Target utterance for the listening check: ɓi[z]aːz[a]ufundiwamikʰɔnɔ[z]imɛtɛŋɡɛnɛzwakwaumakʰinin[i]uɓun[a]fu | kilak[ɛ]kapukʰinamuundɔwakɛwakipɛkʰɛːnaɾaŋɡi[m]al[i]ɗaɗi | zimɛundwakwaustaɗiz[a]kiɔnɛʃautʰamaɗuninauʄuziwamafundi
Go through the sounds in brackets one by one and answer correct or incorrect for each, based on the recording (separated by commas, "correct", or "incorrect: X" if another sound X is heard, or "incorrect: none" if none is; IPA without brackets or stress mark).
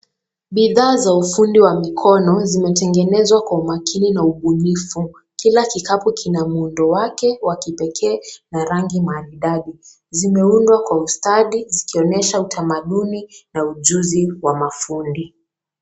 incorrect: ð, correct, correct, incorrect: a, incorrect: i, incorrect: i, correct, correct, incorrect: i